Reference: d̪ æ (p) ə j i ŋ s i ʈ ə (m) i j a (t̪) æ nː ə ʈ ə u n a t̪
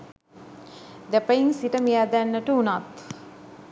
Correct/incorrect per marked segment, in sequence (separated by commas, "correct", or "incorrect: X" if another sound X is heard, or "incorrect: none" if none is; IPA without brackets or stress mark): correct, correct, incorrect: d̪